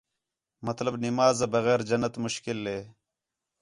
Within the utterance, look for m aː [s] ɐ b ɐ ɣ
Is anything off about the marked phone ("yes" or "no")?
yes